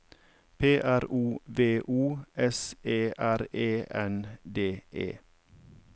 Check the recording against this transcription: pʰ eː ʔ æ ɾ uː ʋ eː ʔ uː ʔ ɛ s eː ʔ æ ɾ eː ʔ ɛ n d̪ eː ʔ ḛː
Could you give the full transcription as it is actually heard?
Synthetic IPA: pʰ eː ʔ æ ɾ uː ʋ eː ʔ uː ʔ ɛ s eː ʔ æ ɾ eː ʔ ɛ n d̪ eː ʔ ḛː